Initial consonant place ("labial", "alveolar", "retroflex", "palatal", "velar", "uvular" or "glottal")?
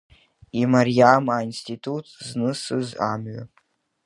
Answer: labial